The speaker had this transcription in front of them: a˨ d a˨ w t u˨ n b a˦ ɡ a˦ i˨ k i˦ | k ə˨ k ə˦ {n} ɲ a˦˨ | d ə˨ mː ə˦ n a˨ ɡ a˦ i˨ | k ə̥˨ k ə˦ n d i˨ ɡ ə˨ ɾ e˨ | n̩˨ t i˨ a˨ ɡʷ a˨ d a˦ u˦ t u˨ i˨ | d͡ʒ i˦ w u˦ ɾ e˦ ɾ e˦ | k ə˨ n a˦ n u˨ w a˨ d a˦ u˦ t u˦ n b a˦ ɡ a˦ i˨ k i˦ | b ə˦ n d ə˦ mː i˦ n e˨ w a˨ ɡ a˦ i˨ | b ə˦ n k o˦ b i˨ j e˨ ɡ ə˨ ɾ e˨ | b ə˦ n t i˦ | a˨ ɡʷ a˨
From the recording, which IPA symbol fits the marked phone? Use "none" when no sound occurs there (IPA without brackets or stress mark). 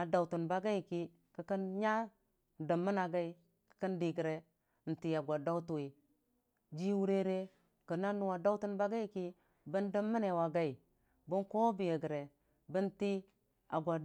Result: n